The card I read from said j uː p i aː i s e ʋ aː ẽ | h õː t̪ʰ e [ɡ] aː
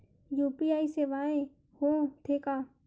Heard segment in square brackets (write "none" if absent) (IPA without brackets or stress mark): k